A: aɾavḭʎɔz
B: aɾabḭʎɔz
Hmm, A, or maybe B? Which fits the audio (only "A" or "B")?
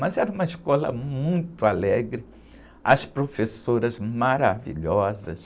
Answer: A